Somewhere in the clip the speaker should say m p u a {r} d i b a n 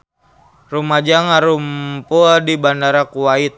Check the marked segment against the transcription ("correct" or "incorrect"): incorrect